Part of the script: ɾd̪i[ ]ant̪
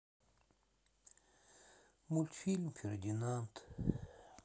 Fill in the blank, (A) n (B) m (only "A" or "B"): A